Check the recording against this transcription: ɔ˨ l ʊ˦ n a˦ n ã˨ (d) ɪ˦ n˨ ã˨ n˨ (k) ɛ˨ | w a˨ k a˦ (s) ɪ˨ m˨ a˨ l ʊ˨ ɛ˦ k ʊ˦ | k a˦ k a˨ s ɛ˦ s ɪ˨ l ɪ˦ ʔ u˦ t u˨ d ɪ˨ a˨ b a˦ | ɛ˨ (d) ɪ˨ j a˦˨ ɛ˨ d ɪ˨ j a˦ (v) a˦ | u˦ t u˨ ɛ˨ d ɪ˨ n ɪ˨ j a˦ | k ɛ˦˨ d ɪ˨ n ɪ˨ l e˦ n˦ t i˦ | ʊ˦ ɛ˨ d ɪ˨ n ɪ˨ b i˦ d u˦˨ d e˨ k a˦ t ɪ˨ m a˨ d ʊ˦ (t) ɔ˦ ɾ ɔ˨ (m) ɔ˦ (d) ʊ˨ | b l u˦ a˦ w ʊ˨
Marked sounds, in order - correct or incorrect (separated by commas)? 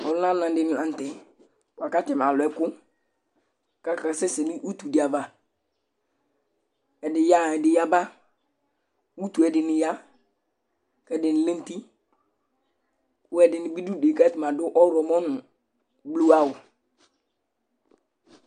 correct, incorrect, incorrect, correct, incorrect, incorrect, correct, incorrect